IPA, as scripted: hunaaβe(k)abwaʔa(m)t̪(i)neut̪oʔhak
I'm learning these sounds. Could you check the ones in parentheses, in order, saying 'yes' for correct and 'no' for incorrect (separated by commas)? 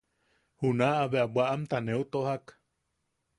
no, yes, no